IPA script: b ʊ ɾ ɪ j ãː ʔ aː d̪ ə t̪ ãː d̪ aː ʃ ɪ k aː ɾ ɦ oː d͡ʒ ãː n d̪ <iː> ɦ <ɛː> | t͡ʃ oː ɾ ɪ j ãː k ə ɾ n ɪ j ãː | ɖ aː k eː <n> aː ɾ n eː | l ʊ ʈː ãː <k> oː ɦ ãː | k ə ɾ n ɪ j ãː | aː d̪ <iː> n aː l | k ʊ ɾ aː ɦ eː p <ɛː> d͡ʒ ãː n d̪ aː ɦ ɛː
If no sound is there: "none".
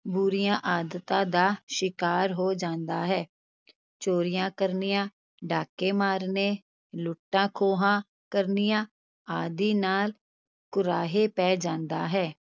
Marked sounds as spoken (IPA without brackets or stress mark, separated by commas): aː, ɛː, m, kʰ, iː, ɛː